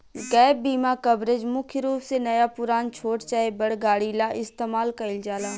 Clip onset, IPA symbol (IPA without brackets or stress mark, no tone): ɡ